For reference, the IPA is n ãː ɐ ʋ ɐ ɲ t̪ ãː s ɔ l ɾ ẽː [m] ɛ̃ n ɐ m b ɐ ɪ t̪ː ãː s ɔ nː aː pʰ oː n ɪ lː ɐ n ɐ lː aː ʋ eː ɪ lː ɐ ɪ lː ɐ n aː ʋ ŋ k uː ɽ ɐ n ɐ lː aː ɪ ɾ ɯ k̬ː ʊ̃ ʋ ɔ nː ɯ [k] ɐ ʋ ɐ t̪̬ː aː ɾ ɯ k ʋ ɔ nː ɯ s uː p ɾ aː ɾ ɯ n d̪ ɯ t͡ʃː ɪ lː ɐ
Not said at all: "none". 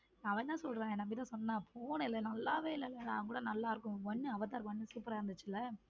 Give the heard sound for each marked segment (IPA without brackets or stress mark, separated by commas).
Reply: none, none